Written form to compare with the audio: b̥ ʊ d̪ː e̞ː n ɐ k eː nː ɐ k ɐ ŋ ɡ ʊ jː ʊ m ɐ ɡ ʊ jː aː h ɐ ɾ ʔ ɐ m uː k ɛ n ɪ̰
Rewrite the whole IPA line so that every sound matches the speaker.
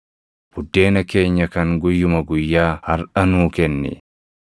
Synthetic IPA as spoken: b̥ ʊ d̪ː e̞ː n ɐ k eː ɲː ɐ k ɐ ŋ ɡ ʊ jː ʊ m ɐ ɡ ʊ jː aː h ɐ ɾ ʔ ɐ n uː k ɛ nː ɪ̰